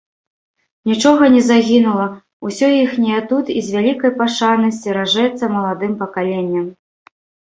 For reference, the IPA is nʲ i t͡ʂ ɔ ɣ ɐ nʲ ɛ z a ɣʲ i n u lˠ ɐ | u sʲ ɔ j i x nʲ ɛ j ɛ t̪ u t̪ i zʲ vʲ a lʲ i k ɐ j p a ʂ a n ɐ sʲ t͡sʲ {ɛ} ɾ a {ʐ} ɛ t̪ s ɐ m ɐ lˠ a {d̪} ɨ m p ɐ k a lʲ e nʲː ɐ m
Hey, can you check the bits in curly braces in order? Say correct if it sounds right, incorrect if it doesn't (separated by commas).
incorrect, correct, correct